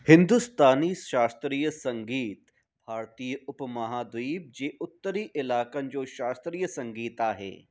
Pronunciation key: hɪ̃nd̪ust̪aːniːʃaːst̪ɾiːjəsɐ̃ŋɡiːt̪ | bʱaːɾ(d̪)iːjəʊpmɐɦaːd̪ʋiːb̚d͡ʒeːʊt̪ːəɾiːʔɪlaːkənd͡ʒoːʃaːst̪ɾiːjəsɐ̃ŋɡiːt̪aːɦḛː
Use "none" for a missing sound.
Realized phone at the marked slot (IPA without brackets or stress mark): t̪